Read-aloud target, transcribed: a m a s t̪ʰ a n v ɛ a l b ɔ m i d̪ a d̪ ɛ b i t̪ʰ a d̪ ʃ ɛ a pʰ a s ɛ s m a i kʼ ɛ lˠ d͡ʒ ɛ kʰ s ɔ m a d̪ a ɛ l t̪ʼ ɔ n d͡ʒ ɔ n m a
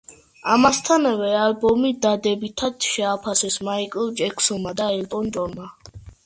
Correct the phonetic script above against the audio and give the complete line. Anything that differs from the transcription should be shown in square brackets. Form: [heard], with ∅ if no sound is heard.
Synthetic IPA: a m a s t̪ʰ a n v ɛ a l b ɔ m i d̪ a d̪ ɛ b i t̪ʰ a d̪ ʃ ɛ a pʰ a s ɛ s m a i kʼ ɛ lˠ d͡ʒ ɛ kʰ s ɔ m a d̪ a ɛ l t̪ʼ ɔ n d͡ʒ ɔ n m a